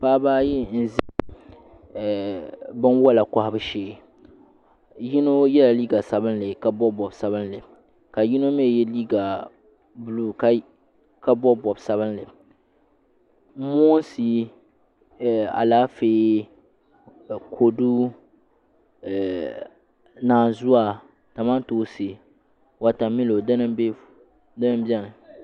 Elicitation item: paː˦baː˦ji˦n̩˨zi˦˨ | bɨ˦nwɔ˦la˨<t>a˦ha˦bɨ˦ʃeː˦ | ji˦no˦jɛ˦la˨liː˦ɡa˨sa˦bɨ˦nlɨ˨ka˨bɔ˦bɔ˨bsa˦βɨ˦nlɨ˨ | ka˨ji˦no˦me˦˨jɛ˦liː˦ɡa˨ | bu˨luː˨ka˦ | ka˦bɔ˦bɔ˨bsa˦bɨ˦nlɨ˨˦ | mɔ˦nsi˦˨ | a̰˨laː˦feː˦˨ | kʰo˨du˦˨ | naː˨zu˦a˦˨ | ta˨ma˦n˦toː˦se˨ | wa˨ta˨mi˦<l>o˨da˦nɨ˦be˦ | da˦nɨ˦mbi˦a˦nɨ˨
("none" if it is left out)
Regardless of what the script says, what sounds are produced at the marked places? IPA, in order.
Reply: k, l

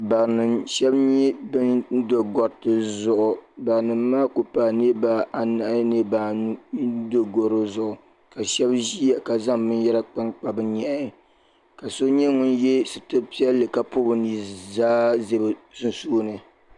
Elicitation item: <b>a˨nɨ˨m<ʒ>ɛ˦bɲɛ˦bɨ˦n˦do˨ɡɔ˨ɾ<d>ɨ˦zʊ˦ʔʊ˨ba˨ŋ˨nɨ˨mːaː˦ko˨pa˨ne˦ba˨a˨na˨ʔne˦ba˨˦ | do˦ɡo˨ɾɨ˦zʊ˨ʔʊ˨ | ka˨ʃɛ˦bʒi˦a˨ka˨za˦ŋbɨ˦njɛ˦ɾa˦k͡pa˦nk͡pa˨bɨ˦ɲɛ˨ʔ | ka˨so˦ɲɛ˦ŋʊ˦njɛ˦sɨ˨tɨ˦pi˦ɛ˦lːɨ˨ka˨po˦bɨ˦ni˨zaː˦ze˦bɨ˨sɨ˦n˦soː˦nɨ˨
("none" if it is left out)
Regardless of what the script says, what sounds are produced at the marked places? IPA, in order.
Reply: b, ʃ, t

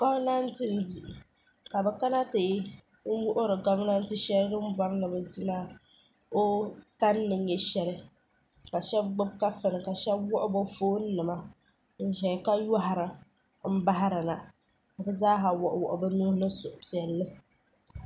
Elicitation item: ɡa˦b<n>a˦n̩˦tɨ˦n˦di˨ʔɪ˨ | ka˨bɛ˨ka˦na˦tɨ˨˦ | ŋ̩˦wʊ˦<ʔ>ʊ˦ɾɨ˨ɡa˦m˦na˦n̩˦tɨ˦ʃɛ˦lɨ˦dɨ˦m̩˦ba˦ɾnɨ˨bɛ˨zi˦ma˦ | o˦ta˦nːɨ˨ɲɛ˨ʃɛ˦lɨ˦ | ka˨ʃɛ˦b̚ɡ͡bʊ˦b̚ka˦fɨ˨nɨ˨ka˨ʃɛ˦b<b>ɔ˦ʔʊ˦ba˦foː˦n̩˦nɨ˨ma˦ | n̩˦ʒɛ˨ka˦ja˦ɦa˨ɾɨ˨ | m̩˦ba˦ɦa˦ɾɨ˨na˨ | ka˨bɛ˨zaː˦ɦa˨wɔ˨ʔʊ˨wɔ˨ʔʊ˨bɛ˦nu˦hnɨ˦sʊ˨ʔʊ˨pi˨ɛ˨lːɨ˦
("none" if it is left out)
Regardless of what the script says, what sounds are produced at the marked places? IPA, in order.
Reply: n, ʔ, w

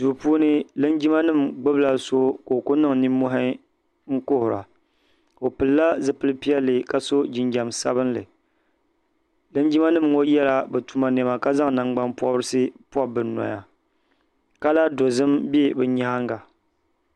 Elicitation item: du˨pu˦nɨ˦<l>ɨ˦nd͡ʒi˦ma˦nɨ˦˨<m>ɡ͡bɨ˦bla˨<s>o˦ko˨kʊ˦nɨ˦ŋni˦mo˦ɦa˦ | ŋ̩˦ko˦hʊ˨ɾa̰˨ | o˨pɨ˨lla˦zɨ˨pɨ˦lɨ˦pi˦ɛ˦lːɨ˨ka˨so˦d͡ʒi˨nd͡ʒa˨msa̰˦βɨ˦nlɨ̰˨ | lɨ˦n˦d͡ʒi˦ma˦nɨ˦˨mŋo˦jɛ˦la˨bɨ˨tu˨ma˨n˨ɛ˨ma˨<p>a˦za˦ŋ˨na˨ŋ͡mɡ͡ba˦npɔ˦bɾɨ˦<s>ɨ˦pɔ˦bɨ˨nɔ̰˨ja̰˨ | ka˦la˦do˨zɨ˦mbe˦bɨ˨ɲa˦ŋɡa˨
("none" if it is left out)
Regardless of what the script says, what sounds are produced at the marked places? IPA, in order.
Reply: l, m, s, k, s

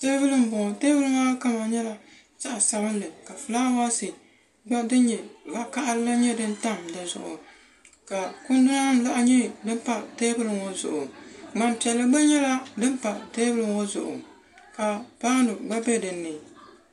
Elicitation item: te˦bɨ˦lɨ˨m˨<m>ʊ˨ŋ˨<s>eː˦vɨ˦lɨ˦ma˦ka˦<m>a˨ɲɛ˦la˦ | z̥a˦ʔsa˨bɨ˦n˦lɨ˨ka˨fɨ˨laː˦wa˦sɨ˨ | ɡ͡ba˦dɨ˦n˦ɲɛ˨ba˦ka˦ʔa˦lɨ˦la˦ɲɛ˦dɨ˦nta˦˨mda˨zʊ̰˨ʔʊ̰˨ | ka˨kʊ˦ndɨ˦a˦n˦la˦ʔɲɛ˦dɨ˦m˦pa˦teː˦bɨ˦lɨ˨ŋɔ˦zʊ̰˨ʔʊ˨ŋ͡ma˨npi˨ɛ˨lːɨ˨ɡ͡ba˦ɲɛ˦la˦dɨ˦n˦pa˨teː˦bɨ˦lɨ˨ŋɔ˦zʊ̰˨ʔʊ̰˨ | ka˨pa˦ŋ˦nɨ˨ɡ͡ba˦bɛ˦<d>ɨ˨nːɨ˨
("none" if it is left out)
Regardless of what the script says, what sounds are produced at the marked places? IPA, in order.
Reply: b, t, m, d

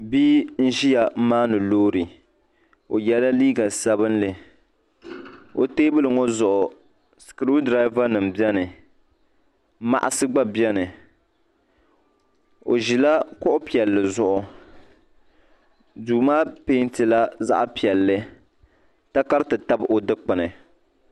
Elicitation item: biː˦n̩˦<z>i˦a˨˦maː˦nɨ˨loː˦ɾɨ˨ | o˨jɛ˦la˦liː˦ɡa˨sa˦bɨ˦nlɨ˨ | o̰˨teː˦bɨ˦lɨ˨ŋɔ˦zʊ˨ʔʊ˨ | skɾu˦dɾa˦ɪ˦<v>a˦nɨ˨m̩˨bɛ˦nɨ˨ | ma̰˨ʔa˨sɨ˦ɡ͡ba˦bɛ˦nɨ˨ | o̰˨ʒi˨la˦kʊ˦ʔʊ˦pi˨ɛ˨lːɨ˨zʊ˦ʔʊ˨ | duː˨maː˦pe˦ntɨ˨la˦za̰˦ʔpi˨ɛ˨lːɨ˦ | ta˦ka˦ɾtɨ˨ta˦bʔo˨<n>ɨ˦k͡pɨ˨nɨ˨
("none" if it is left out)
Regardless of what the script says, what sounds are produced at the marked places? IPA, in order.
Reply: ʒ, v, d

